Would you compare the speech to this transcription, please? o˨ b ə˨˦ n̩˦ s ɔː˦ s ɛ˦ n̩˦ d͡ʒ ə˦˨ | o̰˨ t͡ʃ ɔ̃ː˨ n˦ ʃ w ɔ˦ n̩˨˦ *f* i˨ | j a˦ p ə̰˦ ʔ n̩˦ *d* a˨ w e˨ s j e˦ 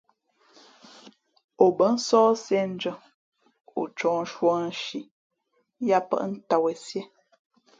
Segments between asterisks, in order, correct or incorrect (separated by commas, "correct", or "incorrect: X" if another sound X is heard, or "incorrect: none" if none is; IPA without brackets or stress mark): incorrect: ʃ, incorrect: t